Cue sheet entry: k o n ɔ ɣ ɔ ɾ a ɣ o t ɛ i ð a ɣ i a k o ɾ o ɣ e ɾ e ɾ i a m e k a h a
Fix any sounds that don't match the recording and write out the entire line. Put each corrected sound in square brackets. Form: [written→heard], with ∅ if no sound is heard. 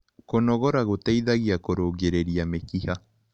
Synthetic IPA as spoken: k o n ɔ ɣ ɔ ɾ a ɣ o t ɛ i ð a ɣ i a k o ɾ o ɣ e ɾ e ɾ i a m e k [a→i] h a